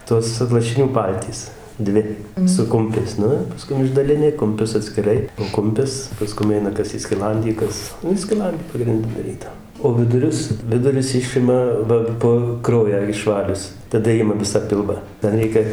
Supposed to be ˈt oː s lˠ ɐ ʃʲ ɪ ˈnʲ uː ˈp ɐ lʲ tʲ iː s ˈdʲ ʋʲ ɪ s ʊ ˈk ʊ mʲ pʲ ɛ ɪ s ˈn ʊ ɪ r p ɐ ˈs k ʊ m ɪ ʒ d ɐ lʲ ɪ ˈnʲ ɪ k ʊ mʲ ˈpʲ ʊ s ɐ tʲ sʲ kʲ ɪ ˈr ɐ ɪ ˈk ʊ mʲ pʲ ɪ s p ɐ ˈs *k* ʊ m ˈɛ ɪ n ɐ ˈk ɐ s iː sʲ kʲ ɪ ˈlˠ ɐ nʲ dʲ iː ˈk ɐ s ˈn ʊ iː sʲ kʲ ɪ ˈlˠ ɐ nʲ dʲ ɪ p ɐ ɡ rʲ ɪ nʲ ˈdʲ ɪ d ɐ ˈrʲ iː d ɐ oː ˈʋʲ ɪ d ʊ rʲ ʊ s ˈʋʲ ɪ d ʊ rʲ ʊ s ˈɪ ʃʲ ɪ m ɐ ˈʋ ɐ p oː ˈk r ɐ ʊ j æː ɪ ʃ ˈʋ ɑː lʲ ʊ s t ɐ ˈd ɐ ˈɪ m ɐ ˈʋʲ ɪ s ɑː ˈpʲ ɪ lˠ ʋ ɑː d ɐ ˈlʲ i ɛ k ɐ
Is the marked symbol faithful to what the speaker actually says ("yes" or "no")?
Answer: yes